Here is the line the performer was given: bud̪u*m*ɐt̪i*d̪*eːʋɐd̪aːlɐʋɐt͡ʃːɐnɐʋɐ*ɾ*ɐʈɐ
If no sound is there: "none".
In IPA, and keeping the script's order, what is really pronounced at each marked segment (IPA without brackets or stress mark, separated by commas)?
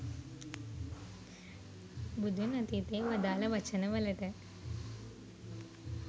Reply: n, t̪, l